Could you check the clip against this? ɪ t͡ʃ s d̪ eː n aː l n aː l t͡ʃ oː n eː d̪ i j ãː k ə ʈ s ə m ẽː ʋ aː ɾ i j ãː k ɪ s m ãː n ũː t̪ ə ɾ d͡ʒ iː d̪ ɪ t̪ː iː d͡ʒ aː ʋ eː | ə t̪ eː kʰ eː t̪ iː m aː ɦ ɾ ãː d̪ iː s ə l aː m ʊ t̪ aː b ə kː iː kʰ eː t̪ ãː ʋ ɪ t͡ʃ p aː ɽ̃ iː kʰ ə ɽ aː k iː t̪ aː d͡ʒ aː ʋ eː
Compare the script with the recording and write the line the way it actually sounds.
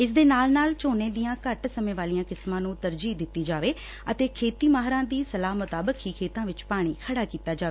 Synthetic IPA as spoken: ɪ s d̪ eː n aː l n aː l t͡ʃ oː n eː d̪ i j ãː k ə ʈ s ə m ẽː ʋ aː l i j ãː k ɪ s m ãː n ũː t̪ ə ɾ d͡ʒ iː d̪ ɪ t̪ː iː d͡ʒ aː ʋ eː | ə t̪ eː kʰ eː t̪ iː m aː ɦ ɾ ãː d̪ iː s ə l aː m ʊ t̪ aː b ə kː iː kʰ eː t̪ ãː ʋ ɪ t͡ʃ p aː ɽ̃ iː kʰ ə ɽ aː k iː t̪ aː d͡ʒ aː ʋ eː